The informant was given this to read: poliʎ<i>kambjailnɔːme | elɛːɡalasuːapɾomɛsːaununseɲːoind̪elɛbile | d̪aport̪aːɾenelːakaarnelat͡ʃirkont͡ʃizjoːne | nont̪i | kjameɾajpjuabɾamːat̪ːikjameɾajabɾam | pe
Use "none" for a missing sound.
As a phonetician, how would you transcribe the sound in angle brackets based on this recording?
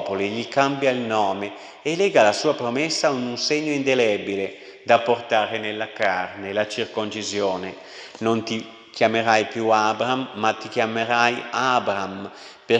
i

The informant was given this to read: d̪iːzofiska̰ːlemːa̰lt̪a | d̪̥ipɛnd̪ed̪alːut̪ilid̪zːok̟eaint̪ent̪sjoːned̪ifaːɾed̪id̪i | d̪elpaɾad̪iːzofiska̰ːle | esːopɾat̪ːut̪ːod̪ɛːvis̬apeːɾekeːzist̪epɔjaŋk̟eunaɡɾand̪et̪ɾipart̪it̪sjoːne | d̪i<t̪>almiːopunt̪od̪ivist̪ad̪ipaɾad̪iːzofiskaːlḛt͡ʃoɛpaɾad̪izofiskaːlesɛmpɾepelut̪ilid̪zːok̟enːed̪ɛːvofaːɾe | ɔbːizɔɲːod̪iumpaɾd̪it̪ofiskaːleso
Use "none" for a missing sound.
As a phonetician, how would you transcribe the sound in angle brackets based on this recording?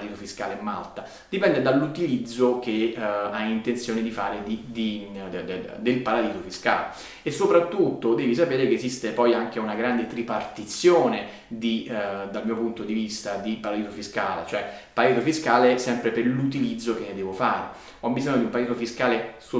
d̪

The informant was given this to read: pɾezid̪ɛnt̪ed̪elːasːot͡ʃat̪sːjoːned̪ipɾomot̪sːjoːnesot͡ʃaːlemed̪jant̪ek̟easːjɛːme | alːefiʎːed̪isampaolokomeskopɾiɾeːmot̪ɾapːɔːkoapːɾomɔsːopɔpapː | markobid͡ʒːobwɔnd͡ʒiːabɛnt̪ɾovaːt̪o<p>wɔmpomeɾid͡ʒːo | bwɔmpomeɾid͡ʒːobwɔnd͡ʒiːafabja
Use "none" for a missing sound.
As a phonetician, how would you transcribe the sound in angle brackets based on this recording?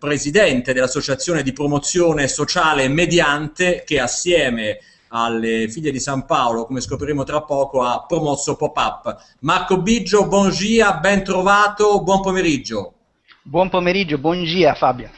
b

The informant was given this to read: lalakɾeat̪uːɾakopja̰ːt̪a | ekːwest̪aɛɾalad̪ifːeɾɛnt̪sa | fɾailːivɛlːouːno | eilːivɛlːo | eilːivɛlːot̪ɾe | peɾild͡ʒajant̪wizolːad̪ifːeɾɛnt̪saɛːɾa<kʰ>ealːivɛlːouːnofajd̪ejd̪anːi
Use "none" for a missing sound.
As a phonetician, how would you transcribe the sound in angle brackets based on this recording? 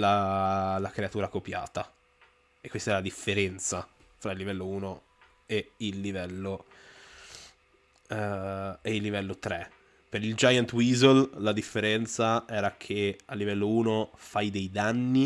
kʰ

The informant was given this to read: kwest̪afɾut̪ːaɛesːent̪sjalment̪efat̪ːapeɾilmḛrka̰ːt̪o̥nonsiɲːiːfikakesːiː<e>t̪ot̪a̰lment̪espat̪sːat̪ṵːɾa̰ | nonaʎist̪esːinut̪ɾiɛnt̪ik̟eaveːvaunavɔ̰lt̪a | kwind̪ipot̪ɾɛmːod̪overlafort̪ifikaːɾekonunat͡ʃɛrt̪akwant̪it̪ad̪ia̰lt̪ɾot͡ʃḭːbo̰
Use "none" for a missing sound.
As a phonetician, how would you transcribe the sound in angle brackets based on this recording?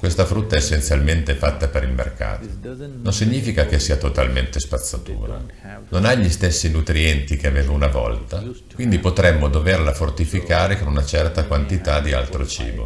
a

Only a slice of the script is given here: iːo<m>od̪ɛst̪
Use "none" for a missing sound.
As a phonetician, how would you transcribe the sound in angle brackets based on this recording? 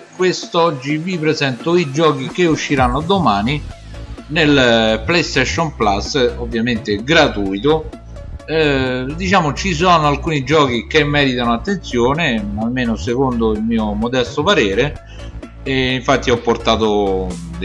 m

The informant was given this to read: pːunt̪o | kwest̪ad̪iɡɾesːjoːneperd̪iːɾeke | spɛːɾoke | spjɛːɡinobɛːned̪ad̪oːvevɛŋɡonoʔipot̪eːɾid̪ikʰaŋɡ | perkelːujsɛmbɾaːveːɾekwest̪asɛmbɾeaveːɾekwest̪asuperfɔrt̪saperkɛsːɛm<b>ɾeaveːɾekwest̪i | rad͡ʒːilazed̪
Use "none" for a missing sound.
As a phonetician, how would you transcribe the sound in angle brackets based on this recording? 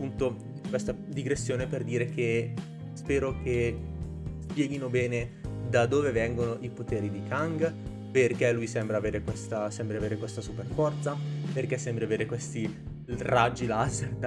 b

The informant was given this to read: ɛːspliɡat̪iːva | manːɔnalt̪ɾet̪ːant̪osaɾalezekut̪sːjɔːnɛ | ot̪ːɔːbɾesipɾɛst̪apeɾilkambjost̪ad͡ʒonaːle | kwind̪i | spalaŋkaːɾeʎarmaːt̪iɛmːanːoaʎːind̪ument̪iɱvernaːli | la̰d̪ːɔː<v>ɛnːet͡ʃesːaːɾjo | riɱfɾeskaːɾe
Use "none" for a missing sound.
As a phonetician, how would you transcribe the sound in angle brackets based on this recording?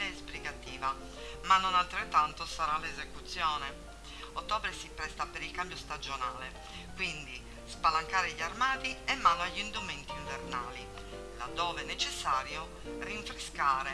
v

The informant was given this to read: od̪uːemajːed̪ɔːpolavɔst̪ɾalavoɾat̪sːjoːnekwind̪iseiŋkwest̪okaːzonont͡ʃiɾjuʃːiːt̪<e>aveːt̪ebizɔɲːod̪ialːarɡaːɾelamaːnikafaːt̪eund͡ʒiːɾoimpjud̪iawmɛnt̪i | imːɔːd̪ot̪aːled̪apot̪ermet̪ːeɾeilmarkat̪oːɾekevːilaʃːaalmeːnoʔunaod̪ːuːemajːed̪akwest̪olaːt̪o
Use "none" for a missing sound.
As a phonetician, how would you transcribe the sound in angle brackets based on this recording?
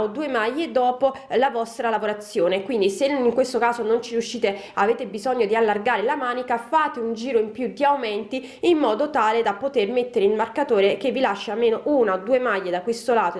e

